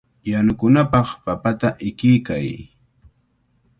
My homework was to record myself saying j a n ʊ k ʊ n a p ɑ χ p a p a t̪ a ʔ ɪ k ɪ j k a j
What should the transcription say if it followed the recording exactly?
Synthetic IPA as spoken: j a n ʊ k ʊ n a p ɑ χ p a p a t̪ a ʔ ɪ k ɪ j k a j